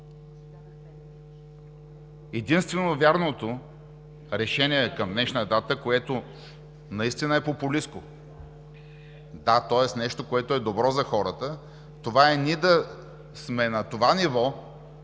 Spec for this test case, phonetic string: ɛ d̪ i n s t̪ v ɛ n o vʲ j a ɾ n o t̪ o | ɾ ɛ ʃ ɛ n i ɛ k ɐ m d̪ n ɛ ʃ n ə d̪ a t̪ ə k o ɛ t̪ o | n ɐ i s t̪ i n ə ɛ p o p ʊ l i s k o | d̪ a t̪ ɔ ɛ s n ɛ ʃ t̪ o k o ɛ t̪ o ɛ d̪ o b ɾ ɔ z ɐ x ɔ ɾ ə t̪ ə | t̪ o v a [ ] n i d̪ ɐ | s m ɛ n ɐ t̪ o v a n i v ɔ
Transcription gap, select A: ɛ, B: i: A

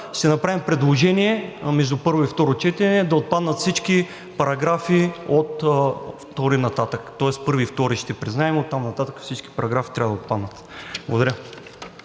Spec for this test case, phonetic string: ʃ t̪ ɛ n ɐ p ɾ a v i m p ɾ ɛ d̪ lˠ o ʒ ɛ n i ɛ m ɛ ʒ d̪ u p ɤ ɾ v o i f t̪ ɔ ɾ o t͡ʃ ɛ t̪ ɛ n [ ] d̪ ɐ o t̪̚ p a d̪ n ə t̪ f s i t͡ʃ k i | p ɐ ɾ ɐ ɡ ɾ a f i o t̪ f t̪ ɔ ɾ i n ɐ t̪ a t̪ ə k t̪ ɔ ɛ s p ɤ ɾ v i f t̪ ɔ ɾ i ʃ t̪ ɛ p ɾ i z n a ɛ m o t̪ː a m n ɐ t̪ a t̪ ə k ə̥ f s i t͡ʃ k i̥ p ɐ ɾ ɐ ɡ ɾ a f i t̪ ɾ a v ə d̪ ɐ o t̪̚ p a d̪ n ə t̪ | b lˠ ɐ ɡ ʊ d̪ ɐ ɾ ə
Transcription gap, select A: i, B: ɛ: B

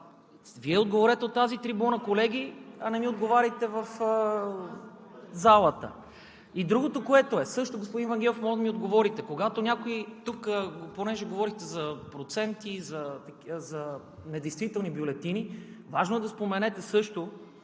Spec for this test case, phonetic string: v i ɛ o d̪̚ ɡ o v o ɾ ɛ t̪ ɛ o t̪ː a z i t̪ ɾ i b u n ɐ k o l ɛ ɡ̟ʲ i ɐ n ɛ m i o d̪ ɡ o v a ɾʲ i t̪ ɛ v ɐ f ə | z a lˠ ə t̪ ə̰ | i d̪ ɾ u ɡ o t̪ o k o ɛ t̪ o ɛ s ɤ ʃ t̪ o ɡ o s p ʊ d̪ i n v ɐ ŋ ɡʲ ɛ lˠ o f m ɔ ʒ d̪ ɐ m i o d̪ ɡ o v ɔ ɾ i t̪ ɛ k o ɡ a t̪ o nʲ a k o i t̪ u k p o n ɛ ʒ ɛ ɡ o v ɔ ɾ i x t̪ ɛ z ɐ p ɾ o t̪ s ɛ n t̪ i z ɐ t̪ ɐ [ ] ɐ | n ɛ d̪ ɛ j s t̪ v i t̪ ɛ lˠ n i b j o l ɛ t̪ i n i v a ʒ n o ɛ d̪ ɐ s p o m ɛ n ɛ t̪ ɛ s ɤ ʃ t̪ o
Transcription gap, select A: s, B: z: B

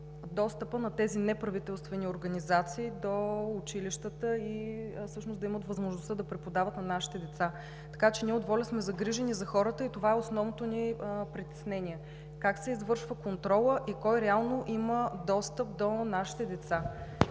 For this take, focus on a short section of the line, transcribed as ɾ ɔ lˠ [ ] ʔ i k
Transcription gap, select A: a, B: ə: B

